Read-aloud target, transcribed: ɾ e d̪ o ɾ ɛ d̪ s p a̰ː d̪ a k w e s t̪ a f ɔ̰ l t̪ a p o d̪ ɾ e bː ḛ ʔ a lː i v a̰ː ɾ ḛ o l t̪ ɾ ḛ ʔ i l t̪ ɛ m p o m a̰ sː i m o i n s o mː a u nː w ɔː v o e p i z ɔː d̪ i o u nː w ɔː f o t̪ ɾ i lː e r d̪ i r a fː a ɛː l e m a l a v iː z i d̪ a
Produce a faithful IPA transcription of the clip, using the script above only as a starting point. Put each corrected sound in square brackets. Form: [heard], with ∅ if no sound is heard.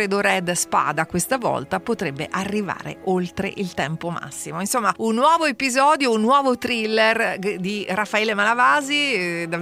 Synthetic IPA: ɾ e d̪ o ɾ ɛ d̪ s p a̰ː d̪ a k w e s t̪ a [v] ɔ̰ l t̪ a p o [t̪] ɾ e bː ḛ ʔ a [rː] i v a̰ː ɾ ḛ o l t̪ ɾ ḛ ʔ i l t̪ ɛ m p o m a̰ sː i m o i n s o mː a u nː w ɔː v o e p i z ɔː d̪ [j] o u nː w ɔː [v] o t̪ ɾ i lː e r d̪ i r a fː a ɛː l e m a l a v [aː] z i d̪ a